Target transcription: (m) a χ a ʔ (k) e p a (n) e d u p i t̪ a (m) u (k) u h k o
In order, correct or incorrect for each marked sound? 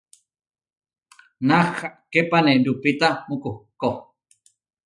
incorrect, correct, correct, correct, correct

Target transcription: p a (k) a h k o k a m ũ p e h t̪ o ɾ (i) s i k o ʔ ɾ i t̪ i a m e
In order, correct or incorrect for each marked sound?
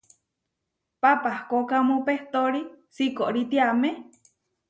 incorrect, correct

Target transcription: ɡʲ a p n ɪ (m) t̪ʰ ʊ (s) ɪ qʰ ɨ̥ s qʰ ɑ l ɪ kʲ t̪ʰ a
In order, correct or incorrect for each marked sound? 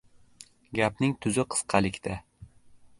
incorrect, incorrect

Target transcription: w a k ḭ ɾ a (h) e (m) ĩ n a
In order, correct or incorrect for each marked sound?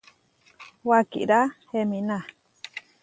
correct, correct

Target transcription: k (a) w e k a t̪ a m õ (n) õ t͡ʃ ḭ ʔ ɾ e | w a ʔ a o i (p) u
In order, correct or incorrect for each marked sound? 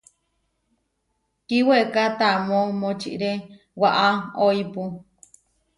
incorrect, incorrect, correct

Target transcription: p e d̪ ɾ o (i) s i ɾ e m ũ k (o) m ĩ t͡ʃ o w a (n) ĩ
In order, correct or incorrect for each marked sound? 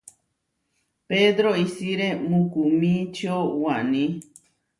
correct, incorrect, correct

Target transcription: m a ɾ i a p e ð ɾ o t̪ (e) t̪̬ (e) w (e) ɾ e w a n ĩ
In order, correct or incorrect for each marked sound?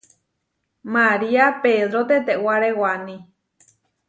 correct, correct, incorrect

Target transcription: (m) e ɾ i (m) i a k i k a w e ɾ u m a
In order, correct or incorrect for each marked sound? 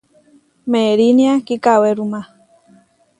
correct, incorrect

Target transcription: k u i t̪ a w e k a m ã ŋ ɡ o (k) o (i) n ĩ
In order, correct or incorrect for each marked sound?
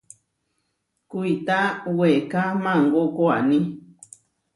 correct, incorrect

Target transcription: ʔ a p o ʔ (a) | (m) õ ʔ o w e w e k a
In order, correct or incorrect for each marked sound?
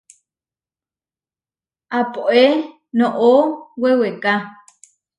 incorrect, incorrect

